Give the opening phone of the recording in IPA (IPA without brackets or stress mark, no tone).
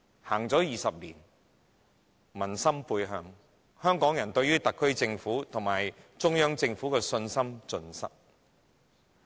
h